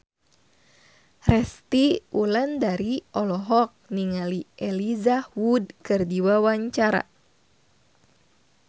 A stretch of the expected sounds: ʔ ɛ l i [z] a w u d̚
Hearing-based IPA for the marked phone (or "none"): z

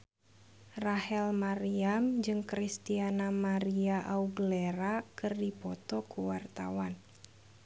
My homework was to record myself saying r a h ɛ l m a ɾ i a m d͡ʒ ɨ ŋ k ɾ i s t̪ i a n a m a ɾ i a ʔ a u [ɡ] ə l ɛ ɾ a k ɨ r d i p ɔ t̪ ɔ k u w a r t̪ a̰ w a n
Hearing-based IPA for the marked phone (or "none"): ɡ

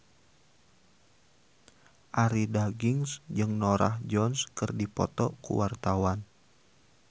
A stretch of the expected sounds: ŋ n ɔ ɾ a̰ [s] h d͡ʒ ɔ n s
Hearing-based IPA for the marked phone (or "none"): none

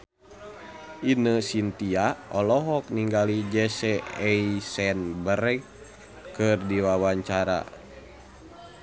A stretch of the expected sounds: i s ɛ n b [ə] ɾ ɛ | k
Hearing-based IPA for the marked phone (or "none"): ə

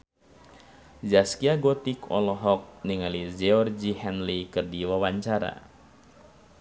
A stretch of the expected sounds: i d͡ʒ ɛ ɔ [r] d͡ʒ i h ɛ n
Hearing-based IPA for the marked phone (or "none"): r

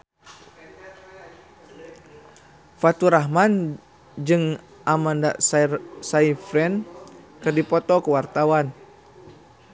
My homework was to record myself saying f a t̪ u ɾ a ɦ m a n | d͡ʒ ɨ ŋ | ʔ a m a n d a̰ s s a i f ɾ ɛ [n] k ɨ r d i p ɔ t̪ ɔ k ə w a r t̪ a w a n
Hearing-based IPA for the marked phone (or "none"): n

